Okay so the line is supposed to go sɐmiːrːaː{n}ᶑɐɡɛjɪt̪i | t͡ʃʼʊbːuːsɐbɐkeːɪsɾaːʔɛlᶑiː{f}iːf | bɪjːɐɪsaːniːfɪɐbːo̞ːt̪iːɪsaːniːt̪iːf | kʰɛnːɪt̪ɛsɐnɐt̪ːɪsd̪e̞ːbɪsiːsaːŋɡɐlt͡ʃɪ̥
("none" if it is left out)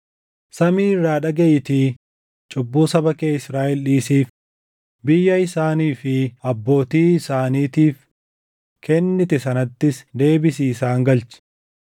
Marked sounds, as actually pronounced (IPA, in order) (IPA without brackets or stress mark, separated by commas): none, s